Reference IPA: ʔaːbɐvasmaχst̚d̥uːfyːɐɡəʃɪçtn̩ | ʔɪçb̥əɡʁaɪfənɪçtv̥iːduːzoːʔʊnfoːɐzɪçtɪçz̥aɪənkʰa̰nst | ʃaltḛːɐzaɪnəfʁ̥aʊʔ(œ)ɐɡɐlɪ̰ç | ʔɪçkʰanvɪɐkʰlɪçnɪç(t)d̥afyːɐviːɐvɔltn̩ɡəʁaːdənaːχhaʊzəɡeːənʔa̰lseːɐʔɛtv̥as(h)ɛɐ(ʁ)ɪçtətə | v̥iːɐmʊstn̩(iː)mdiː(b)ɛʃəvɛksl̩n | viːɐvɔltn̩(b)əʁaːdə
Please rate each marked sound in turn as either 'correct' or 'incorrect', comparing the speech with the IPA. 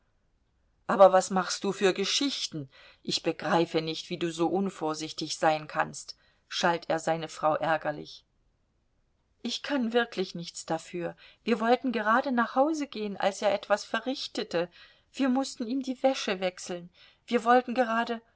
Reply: incorrect: ɛ, incorrect: t͡s, incorrect: f, correct, correct, incorrect: v, incorrect: ɡ

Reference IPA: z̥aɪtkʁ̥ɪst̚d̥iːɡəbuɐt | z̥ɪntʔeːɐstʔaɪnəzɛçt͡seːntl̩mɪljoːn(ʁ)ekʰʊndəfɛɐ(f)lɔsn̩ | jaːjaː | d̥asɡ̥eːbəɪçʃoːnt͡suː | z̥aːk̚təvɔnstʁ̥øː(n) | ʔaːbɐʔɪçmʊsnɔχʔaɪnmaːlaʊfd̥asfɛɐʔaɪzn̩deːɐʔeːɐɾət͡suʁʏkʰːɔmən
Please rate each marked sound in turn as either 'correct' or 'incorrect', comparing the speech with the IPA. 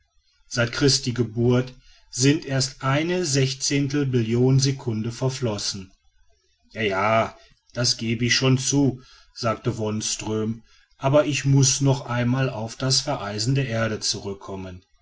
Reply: incorrect: z, correct, incorrect: m

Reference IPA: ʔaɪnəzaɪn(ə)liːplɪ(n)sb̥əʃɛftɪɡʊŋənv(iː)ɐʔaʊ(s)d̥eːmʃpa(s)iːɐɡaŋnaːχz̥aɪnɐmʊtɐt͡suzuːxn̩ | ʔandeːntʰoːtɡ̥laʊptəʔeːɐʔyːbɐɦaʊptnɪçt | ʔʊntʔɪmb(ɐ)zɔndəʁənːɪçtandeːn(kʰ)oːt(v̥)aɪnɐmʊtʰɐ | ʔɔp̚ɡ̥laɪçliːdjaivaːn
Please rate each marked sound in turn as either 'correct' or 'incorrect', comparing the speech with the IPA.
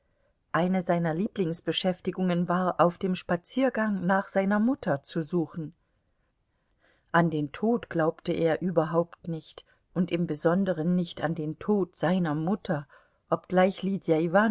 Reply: incorrect: ɐ, incorrect: ŋ, incorrect: aː, incorrect: f, incorrect: t͡s, incorrect: ə, incorrect: tʰ, incorrect: z̥

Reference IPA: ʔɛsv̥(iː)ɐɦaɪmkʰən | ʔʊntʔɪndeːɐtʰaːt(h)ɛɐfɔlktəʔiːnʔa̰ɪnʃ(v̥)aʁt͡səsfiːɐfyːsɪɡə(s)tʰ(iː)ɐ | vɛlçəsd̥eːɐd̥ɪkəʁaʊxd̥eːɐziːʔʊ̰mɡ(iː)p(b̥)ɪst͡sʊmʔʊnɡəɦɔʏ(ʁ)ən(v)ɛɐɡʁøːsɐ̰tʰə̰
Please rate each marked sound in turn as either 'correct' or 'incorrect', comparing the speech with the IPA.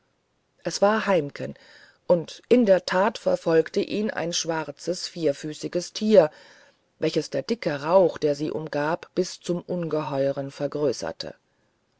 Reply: incorrect: aː, incorrect: f, correct, correct, correct, incorrect: aː, correct, correct, incorrect: f

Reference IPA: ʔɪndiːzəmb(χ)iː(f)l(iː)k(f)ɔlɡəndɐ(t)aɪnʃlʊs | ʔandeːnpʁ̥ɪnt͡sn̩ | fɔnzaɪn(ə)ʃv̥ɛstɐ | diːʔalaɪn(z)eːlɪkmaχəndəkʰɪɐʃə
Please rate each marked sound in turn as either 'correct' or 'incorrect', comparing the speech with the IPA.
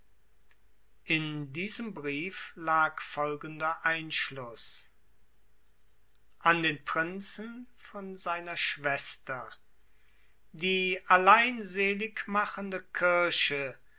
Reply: incorrect: ʁ, correct, incorrect: aː, correct, incorrect: ʔ, incorrect: ɐ, correct

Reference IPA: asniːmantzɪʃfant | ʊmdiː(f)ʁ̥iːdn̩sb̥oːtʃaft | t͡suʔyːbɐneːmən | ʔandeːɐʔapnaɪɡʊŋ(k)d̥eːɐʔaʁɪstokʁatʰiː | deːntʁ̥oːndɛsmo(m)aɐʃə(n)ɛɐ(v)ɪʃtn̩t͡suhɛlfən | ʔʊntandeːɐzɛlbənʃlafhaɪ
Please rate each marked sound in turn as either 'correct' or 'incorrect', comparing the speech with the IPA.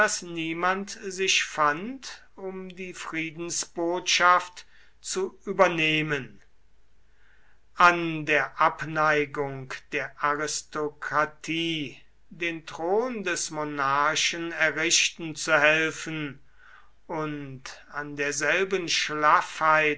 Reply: correct, correct, incorrect: n, correct, incorrect: ʁ

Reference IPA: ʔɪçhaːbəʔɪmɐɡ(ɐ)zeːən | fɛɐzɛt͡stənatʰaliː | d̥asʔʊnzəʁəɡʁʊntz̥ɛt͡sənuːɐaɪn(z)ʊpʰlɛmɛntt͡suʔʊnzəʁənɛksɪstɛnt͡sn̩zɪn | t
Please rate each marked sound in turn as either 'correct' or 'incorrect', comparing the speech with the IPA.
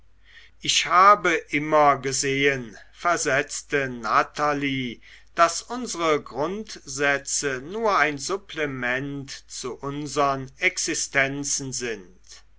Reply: incorrect: ə, correct

